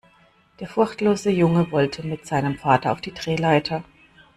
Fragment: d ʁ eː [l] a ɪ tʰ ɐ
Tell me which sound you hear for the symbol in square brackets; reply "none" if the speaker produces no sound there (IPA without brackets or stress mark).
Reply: l